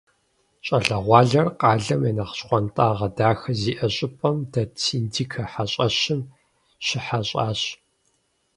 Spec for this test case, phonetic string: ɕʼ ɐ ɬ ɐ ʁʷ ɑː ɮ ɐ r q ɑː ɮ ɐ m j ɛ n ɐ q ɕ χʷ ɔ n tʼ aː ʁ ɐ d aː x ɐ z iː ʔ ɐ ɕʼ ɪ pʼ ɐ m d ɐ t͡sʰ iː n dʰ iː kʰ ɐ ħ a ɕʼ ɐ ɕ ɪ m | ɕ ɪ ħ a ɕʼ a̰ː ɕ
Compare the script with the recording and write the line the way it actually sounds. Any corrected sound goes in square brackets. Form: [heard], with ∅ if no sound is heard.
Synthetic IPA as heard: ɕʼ ɐ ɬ ɐ ʁʷ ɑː ɮ ɐ r q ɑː ɮ ɐ m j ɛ n ɐ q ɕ χʷ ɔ n tʼ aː ʁ ɐ d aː x ɐ z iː ʔ ɐ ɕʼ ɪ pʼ ɐ m d ɐ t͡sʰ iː n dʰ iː kʰ ɐ ħ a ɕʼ ɐ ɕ ɪ m | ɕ ɪ ħ a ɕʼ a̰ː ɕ